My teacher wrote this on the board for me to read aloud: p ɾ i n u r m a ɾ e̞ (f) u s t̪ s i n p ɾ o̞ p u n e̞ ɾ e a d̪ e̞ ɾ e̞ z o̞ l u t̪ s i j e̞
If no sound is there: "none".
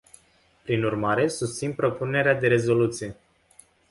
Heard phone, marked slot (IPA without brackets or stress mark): s